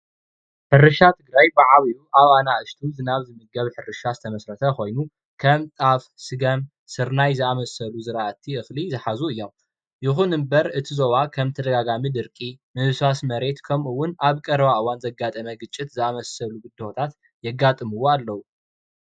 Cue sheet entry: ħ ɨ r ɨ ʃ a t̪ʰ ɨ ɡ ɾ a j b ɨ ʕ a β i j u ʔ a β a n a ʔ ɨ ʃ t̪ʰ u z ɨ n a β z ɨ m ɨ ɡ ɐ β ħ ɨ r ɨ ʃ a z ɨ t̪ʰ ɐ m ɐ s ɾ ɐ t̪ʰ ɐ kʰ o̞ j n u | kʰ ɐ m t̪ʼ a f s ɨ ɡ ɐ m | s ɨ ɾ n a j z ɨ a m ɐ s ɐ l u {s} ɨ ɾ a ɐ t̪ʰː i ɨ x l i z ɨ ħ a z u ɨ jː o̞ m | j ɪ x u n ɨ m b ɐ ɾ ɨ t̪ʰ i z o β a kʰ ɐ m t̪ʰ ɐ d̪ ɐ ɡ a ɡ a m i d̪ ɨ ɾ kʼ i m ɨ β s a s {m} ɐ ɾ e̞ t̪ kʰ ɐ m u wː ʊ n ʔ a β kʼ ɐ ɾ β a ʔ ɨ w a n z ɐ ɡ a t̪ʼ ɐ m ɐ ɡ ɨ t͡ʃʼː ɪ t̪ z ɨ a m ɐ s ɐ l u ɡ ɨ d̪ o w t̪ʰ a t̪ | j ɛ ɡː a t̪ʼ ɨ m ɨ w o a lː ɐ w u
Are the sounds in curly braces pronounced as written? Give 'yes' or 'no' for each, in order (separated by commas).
no, yes